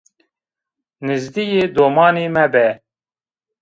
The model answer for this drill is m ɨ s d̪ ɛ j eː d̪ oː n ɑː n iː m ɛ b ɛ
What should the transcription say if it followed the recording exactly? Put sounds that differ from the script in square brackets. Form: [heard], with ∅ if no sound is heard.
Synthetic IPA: [n] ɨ [z] d̪ [i] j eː d̪ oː [m] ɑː n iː m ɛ b ɛ